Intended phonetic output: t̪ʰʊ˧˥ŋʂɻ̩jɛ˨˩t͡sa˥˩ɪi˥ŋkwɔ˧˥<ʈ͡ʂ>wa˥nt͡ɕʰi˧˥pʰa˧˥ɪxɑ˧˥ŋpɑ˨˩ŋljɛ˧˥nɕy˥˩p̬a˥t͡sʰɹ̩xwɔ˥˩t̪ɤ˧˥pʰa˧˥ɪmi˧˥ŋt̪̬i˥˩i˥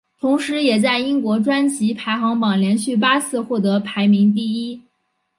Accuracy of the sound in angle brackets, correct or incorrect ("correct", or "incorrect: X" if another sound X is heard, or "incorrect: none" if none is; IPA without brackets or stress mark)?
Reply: correct